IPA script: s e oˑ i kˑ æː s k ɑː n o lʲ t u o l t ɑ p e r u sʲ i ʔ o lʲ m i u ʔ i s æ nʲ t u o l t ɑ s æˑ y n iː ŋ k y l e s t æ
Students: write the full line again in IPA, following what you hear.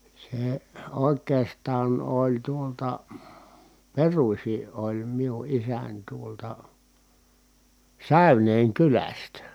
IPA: s e oˑ e kˑ eː s t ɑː n o lʲ t u o l t ɑ p e r u sʲ i ʔ o lʲ m i u ʔ i s æ nʲ t u o l t ɑ s æˑ y n eː ŋ k y l æ s t æ